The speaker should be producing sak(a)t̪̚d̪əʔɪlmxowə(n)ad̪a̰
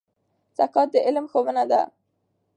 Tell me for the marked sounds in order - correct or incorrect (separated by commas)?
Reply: incorrect, correct